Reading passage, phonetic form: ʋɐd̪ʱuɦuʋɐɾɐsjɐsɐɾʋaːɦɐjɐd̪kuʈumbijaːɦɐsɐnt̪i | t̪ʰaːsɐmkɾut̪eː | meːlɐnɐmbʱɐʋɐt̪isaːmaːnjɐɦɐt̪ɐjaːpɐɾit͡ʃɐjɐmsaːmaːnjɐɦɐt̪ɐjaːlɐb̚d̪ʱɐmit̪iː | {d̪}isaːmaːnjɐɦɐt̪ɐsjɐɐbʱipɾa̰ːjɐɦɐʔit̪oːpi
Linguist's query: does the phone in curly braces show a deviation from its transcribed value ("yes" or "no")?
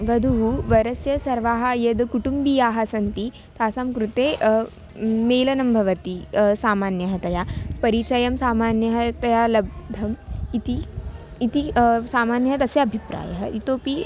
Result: yes